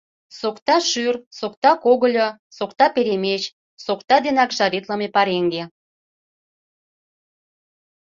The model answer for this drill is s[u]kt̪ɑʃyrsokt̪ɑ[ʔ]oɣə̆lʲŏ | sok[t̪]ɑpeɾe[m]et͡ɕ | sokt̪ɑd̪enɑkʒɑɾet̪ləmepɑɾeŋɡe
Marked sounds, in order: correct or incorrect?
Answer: incorrect: o, incorrect: k, correct, correct

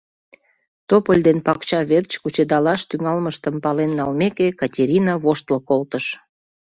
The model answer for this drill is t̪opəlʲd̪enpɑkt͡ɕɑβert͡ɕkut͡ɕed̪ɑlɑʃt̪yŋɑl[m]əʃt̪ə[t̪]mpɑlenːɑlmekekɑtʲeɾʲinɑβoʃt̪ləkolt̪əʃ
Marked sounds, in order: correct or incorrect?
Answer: correct, incorrect: none

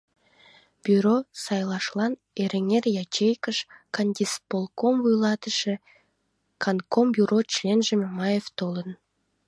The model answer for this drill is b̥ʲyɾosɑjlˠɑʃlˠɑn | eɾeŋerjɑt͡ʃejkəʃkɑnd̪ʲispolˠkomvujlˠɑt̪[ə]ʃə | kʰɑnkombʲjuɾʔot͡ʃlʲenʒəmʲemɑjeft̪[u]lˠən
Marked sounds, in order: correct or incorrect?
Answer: correct, incorrect: o

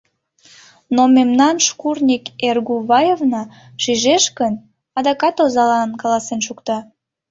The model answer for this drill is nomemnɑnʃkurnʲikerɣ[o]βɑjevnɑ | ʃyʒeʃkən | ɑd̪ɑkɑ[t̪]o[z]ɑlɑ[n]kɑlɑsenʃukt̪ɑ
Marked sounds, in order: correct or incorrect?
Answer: incorrect: u, correct, correct, correct

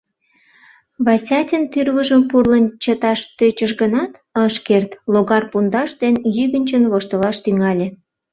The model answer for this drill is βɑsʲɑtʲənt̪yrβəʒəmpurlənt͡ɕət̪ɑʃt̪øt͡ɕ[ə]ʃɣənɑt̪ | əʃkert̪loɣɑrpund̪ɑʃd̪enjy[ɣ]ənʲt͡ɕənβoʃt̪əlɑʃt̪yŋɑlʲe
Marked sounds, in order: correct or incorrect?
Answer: correct, correct

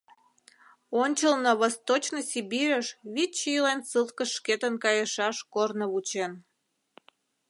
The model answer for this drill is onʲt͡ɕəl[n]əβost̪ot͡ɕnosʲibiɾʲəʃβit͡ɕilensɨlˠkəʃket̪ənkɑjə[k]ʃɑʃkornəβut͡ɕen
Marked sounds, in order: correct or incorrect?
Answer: correct, incorrect: none

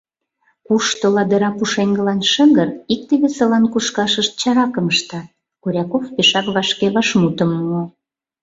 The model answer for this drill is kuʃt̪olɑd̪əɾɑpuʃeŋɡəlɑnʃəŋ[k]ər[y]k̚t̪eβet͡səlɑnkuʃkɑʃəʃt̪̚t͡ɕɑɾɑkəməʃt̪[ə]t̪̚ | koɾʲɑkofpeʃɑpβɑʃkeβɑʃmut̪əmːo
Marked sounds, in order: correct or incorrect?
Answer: incorrect: ɡ, incorrect: i, incorrect: ɑ

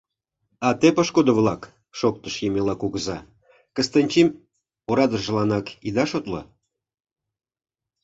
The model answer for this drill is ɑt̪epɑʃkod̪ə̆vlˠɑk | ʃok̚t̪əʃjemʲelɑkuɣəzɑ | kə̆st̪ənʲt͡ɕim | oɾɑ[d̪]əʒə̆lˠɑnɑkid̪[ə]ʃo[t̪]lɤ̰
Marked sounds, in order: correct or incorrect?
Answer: correct, incorrect: ɑ, correct

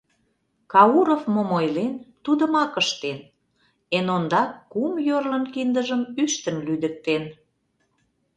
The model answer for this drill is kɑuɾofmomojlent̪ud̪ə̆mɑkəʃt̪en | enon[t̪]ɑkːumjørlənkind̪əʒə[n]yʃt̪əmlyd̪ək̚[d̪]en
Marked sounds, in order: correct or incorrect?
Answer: incorrect: d̪, incorrect: m, incorrect: t̪

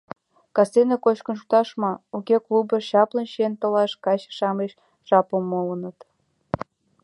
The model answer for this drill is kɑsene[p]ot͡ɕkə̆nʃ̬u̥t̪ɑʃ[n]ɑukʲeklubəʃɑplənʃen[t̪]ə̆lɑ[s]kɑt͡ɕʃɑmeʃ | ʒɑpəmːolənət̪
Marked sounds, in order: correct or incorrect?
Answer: incorrect: k, incorrect: m, correct, incorrect: ʃ

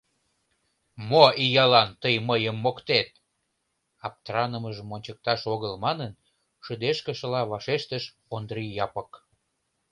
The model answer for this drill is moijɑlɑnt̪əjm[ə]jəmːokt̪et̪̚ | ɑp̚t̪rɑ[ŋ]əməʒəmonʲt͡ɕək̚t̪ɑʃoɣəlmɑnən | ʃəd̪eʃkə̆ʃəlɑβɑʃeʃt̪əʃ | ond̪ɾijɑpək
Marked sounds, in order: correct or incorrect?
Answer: correct, incorrect: n

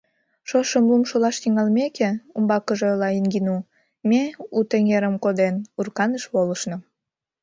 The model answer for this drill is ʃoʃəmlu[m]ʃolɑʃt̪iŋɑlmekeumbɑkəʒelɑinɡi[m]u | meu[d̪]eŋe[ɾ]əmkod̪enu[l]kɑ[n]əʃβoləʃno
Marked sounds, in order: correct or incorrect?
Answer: correct, incorrect: n, incorrect: t̪, correct, incorrect: r, correct

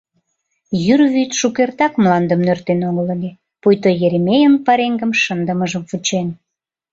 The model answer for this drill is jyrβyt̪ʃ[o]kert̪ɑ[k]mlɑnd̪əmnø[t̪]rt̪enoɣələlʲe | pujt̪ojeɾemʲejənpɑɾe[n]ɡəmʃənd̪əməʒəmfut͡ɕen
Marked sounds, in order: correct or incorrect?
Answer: incorrect: u, correct, incorrect: none, incorrect: ŋ

